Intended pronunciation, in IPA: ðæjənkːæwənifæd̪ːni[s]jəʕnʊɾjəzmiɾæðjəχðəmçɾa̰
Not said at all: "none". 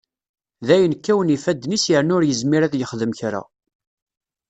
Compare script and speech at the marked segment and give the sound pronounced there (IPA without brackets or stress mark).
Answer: s